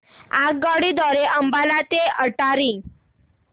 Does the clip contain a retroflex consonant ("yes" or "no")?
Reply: yes